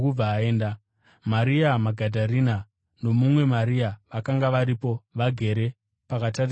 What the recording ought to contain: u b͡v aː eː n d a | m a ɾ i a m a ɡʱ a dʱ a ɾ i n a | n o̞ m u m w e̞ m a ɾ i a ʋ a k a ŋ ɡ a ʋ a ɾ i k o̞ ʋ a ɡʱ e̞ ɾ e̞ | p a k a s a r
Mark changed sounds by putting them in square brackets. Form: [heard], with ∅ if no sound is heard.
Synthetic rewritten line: u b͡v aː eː n d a | m a ɾ i a m a ɡʱ a dʱ a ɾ i n a | n o̞ m u m w e̞ m a ɾ i a ʋ a k a ŋ ɡ a ʋ a ɾ i [p] o̞ ʋ a ɡʱ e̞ ɾ e̞ | p a k a [t] a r